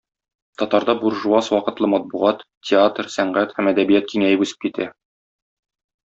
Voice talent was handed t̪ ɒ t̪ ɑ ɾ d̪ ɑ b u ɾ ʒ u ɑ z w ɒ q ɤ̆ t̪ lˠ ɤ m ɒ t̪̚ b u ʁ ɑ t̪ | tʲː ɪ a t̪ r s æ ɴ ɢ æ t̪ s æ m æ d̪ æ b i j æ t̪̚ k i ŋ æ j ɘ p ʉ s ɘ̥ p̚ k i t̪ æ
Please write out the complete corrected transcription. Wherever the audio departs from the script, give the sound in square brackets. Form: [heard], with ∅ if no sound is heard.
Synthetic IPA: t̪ ɒ t̪ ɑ ɾ d̪ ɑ b u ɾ ʒ u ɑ [s] w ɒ q ɤ̆ t̪ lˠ ɤ m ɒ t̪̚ b u ʁ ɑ t̪ | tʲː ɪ a t̪ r s æ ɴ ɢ æ t̪ [h] æ m æ d̪ æ b i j æ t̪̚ k i ŋ æ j ɘ p ʉ s ɘ̥ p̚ k i t̪ æ